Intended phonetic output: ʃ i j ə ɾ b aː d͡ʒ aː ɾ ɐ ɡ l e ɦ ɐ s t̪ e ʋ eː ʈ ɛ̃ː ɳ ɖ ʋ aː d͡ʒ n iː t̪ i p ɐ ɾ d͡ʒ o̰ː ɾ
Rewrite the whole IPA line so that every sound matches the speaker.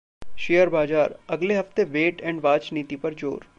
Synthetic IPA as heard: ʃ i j ə ɾ b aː d͡ʒ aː ɾ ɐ ɡ l e ɦ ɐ f t̪ e ʋ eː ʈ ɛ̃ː ɳ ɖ ʋ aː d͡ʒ n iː t̪ i p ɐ ɾ d͡ʒ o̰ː ɾ

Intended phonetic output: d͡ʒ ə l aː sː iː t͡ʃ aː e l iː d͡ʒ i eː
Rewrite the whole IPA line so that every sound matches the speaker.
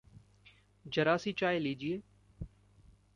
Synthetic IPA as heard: d͡ʒ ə ɾ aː s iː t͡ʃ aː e l iː d͡ʒ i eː

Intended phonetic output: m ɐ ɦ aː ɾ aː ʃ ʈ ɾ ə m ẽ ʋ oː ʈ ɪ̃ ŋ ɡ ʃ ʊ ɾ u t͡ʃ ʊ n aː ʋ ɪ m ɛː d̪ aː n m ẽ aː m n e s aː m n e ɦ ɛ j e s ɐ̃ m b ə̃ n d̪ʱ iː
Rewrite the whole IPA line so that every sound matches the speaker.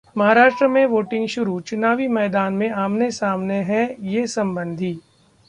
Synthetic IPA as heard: m ɐ ɦ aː ɾ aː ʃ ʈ ɾ ə m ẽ ʋ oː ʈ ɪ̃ ŋ ɡ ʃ ʊ ɾ u t͡ʃ ʊ n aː ʋ i m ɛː d̪ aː n m ẽ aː m n e s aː m n e ɦ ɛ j e s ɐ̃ m b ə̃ n d̪ʱ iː

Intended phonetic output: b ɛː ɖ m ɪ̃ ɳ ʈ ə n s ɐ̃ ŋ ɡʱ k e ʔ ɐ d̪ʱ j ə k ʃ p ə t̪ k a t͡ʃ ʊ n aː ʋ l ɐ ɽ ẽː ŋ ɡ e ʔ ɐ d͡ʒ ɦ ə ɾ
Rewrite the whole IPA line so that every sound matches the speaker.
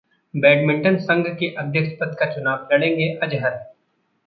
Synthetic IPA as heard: b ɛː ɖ m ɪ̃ ɳ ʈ ə n s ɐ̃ ŋ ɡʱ k e ʔ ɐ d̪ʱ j ə k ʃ p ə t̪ k a t͡ʃ ʊ n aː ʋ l ɐ ɽ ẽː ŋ ɡ e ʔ ɐ d͡ʒ ɦ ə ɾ

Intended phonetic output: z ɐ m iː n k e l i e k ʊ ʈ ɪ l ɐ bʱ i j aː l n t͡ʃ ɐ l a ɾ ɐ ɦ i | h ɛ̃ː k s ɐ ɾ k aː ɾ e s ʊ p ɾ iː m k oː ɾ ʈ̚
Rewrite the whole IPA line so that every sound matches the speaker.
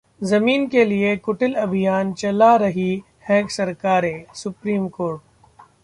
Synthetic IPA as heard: z ɐ m iː n k e l i e k ʊ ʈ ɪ l ɐ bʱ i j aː n t͡ʃ ɐ l a ɾ ɐ ɦ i | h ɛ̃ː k s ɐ ɾ k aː ɾ e s ʊ p ɾ iː m k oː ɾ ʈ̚

